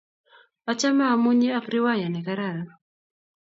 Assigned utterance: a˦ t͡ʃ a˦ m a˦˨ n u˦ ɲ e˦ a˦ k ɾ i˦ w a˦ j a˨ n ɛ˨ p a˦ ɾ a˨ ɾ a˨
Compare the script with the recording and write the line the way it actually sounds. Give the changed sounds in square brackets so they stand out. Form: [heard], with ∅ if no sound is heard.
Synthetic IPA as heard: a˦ t͡ʃ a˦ m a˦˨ [m] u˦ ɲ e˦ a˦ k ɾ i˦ w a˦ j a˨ n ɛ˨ [k] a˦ ɾ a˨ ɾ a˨